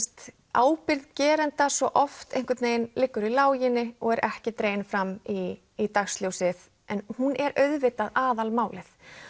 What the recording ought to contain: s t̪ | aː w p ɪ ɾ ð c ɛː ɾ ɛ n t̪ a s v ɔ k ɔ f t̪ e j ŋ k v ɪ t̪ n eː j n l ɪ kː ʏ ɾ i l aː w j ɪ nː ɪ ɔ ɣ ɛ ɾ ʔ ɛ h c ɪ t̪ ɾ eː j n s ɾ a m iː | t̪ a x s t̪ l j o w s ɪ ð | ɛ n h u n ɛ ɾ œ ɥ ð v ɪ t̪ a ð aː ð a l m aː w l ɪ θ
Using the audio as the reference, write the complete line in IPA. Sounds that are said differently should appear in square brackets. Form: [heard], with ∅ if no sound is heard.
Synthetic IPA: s t̪ | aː w p ɪ ɾ ð c ɛː ɾ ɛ n t̪ a s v ɔ [ʔ] ɔ f t̪ e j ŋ k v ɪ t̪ n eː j n l ɪ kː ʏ ɾ i l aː w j ɪ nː ɪ ɔ ɣ ɛ ɾ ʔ ɛ h c ɪ t̪ ɾ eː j n [f] ɾ a m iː | t̪ a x s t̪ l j o w s ɪ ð | ɛ n h u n ɛ ɾ œ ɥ ð v ɪ t̪ a ð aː ð a l m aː w l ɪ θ